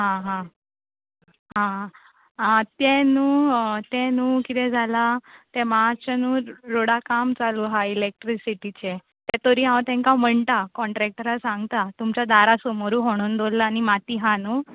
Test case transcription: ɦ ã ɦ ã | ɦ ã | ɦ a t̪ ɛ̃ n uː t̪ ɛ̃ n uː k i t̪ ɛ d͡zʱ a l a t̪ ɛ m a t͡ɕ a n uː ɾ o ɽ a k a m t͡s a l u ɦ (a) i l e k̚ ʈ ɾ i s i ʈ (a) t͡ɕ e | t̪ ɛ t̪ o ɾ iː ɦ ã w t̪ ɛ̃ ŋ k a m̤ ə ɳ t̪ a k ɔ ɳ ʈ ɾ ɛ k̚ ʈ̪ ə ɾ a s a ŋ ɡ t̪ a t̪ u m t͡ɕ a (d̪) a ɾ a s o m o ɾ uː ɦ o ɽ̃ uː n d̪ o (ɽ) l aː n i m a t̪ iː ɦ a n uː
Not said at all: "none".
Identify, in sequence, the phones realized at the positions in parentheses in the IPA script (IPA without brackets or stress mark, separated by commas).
a, i, d̪, l